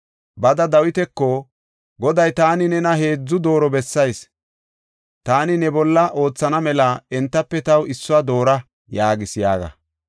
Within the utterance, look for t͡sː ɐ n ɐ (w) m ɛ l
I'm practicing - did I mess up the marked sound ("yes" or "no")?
yes